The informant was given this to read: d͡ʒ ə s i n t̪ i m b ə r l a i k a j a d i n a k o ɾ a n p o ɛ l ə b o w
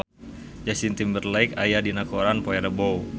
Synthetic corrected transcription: d͡ʒ a s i n t̪ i m b ə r l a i k a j a d i n a k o ɾ a n p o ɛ ɾ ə b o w